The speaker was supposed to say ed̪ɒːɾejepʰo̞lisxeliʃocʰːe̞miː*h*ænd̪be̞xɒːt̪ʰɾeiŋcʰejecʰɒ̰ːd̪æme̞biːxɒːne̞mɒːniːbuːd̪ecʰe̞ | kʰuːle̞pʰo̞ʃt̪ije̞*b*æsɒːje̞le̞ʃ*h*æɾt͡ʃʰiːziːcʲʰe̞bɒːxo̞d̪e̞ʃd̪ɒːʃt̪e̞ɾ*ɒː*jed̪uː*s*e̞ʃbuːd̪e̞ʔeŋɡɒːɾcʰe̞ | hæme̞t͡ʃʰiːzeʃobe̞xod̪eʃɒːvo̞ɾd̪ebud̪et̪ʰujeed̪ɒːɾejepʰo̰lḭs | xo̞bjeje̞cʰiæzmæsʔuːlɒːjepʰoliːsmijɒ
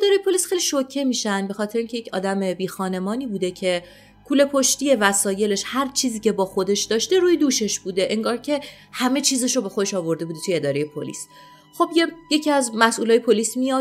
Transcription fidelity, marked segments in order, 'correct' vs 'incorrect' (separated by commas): incorrect, incorrect, correct, incorrect, incorrect